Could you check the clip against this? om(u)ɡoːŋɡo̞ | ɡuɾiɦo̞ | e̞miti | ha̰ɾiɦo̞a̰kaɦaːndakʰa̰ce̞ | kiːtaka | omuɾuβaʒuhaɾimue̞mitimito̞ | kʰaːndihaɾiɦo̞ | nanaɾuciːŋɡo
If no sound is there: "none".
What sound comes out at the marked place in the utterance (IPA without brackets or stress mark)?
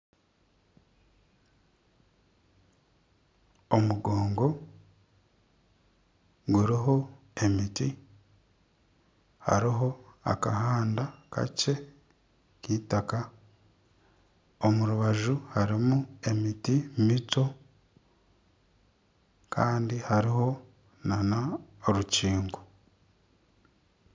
u